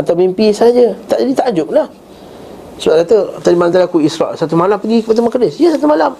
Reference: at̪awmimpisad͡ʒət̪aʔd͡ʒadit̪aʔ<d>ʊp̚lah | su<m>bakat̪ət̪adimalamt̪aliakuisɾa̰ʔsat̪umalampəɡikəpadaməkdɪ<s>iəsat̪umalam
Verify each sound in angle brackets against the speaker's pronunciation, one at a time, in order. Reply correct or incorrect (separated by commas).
incorrect, incorrect, correct